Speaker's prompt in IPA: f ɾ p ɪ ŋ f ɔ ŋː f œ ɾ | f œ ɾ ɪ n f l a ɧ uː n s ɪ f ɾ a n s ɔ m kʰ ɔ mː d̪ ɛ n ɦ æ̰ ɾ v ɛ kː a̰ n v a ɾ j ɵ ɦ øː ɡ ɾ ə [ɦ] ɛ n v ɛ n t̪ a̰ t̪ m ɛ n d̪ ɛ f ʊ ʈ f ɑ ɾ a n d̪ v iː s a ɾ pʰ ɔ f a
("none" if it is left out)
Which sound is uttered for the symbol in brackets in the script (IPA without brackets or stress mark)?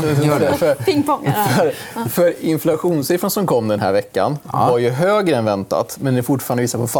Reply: none